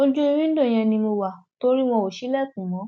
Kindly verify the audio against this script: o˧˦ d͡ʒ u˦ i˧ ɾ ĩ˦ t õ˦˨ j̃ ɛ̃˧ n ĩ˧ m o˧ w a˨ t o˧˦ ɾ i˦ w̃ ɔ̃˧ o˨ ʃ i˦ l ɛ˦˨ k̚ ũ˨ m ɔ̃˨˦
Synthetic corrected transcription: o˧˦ d͡ʒ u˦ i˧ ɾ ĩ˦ d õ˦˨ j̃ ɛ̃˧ n ĩ˧ m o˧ w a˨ t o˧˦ ɾ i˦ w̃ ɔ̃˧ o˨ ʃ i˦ l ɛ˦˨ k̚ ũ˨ m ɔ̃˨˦